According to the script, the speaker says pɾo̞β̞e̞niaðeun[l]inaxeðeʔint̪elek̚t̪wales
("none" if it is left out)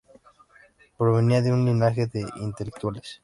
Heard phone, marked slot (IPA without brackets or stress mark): l